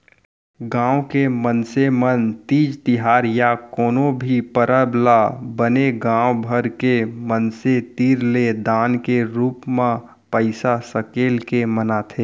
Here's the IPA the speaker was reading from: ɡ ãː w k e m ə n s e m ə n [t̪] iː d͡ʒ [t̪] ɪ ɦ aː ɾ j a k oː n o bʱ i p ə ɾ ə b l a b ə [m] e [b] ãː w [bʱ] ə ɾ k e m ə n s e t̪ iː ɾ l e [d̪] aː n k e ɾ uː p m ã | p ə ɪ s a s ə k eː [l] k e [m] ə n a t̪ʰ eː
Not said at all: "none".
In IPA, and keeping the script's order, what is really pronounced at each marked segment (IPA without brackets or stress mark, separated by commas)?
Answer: t̪, t̪, n, ɡ, bʱ, d̪, l, m